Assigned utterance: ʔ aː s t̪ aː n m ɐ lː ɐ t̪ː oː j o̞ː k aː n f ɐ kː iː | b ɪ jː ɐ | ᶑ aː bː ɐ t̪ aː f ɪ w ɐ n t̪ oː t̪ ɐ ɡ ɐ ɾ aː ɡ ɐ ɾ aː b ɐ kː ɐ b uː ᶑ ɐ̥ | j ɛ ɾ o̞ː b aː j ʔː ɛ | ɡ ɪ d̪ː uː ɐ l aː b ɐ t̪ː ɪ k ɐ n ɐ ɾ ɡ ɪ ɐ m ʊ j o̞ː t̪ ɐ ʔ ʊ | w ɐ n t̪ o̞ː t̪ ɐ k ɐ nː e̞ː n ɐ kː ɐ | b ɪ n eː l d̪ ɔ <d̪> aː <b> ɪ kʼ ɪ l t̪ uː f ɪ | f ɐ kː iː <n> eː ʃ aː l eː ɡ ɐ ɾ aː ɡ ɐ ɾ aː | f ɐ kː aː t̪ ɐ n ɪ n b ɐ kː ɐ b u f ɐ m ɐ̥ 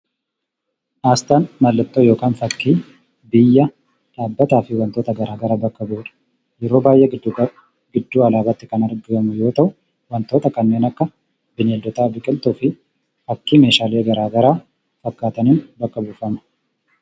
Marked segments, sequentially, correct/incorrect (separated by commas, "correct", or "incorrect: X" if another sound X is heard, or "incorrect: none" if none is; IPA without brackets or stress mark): incorrect: t̪, correct, incorrect: m